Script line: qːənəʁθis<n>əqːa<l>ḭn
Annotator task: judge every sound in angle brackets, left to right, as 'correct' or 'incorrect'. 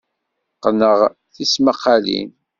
incorrect: m, correct

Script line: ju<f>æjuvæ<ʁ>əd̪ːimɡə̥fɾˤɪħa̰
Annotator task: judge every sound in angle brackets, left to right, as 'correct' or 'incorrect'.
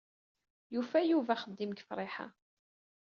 correct, incorrect: χ

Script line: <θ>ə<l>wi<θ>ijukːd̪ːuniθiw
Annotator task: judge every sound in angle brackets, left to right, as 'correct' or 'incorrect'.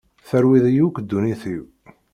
correct, incorrect: ɾ, incorrect: ð

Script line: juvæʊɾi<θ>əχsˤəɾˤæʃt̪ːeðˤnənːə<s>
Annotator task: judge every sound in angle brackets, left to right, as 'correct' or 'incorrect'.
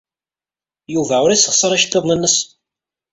incorrect: s, correct

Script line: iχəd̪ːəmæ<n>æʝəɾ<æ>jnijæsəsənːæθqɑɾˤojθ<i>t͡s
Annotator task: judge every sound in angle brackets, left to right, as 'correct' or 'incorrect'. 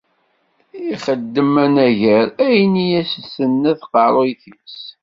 correct, correct, correct

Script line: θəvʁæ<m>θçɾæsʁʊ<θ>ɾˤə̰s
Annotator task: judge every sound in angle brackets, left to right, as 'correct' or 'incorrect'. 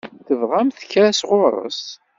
correct, incorrect: none

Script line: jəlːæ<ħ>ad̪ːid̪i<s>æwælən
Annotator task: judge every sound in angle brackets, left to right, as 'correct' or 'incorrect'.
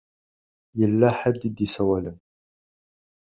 correct, correct

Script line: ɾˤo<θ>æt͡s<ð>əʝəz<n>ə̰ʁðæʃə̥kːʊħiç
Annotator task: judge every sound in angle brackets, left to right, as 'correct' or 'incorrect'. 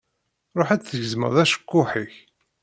incorrect: ħ, incorrect: θ, incorrect: m

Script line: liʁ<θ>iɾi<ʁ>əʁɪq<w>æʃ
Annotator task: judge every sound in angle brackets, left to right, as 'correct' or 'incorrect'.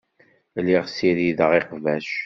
incorrect: s, incorrect: ð, incorrect: v

